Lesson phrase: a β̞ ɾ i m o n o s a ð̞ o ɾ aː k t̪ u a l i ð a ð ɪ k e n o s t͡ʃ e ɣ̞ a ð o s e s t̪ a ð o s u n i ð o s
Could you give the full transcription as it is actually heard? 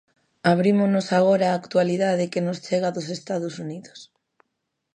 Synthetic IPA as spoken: a β̞ ɾ i m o n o s a ɣ̞ o ɾ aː k t̪ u a l i ð a ð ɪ k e n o s t͡ʃ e ɣ̞ a ð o s e s t̪ a ð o s u n i ð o s